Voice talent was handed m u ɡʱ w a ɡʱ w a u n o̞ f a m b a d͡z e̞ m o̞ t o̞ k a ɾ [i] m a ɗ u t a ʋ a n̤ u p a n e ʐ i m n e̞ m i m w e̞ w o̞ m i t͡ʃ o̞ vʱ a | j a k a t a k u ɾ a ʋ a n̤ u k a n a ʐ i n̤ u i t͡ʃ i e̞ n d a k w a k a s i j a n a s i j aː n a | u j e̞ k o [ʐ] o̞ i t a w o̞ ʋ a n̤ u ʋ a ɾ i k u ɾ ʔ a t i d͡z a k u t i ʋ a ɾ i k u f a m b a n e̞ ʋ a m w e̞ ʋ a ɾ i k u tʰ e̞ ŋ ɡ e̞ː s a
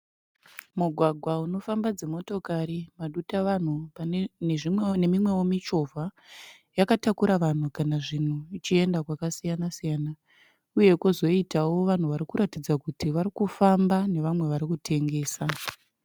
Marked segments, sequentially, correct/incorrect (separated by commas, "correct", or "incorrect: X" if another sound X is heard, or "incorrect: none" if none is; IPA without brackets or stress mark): correct, incorrect: z